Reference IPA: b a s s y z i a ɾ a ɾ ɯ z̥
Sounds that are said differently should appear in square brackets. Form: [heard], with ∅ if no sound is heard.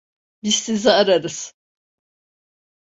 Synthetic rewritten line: b [i] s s [i] z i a ɾ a ɾ ɯ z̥